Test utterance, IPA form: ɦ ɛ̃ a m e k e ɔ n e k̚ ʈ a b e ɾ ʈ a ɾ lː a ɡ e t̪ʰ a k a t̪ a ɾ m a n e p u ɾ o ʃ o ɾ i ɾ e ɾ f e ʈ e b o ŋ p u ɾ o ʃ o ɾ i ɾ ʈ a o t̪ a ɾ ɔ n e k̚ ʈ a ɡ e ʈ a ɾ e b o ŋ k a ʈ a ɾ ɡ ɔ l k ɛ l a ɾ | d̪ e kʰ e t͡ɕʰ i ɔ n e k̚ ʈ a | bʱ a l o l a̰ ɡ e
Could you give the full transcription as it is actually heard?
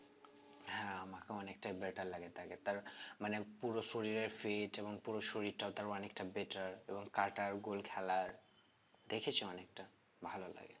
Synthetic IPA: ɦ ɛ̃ a m a k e ɔ n e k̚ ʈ a b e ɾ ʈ a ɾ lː a ɡ e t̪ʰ a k e t̪ a ɾ m a n e p u ɾ o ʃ o ɾ i ɾ e ɾ f e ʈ e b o ŋ p u ɾ o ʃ o ɾ i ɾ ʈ a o t̪ a ɾ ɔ n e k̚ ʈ a b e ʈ a ɾ e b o ŋ k a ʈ a ɾ ɡ o l kʰ ɛ l a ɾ | d̪ e kʰ e t͡ɕʰ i ɔ n e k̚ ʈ a | bʱ a l o l a̰ ɡ e